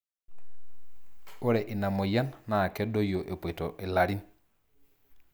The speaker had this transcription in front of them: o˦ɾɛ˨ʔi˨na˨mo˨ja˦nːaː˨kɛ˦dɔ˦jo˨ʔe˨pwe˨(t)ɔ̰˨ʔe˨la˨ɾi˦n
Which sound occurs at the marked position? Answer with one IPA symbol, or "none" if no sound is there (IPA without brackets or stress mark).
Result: t